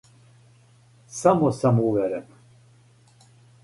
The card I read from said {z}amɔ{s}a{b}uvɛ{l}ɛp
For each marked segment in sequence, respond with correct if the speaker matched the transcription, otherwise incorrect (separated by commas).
incorrect, correct, incorrect, incorrect